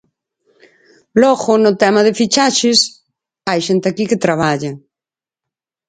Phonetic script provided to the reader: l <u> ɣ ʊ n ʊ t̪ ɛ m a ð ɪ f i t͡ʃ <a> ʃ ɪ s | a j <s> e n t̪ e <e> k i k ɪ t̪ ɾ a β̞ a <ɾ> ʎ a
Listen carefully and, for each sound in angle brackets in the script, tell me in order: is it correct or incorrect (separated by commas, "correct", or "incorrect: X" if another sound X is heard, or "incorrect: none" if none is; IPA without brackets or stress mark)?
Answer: incorrect: ɔ, correct, incorrect: ʃ, incorrect: a, incorrect: none